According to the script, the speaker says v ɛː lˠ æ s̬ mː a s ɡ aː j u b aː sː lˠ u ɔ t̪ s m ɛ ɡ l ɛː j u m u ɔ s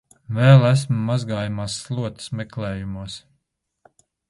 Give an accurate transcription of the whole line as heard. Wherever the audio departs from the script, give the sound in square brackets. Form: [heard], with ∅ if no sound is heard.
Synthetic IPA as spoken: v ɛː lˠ æ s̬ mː a [z] ɡ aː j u [m] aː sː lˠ u ɔ t̪ s m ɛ [k] l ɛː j u m u ɔ s